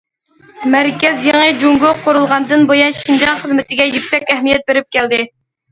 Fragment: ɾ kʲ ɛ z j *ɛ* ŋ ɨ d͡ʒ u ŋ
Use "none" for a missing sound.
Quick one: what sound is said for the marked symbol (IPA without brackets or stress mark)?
e